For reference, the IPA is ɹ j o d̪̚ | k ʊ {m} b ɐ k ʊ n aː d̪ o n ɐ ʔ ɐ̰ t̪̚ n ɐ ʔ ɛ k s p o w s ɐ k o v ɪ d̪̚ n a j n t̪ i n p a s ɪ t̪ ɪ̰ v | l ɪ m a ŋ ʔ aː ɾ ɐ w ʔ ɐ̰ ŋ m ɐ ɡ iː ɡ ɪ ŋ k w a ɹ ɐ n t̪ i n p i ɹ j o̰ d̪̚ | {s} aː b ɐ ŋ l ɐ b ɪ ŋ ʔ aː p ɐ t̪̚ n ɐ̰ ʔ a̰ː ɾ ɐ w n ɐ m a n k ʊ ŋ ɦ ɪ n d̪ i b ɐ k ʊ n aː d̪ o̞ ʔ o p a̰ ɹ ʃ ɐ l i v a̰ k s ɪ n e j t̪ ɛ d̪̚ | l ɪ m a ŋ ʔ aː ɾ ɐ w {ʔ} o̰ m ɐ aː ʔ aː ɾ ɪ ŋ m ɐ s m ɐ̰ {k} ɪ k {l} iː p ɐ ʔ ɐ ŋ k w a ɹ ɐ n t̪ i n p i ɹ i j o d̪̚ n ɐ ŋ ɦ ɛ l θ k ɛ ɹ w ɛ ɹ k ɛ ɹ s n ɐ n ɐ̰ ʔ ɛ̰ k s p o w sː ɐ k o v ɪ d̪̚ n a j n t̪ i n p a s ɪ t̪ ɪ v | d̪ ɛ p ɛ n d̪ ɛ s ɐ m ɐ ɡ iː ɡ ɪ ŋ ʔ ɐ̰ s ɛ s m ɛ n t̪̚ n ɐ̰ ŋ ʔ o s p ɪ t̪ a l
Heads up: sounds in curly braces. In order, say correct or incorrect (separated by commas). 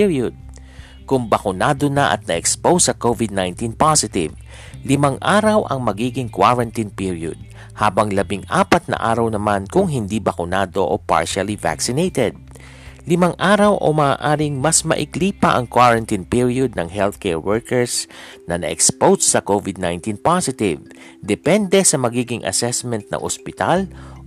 incorrect, incorrect, correct, incorrect, correct